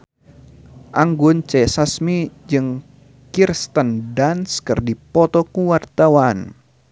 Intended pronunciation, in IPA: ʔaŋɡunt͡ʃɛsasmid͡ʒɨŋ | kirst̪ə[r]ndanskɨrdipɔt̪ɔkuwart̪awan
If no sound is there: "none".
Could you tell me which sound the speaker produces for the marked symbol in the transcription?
none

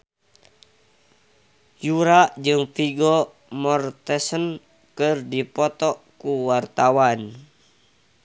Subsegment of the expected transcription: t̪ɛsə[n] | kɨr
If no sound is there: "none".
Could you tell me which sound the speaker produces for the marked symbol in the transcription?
n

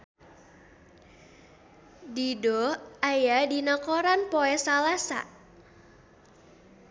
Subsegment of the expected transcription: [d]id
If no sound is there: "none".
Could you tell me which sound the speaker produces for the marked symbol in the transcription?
d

